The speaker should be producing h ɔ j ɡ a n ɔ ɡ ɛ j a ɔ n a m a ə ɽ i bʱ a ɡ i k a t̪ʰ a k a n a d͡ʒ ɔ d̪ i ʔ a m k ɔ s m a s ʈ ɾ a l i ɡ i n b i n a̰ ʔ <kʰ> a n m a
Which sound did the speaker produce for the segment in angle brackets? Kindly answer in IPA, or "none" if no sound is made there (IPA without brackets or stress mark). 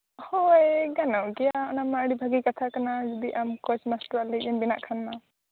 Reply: kʰ